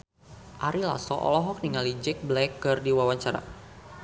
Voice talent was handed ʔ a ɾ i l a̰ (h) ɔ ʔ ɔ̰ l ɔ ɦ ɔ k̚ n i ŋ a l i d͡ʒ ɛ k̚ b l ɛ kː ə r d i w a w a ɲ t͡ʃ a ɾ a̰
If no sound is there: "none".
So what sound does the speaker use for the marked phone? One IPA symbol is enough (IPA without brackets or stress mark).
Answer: s